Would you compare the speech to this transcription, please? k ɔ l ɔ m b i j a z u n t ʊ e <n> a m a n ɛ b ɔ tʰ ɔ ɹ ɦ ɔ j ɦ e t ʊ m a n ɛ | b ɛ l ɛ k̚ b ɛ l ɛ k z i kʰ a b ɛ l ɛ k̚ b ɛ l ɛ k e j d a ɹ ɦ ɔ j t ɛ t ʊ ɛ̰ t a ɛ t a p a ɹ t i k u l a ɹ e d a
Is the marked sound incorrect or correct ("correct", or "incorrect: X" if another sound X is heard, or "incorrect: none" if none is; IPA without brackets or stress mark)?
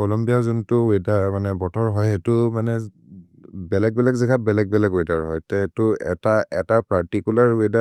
incorrect: d